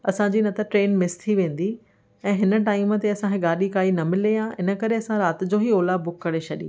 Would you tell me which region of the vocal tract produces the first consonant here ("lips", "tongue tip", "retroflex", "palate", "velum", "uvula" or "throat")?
tongue tip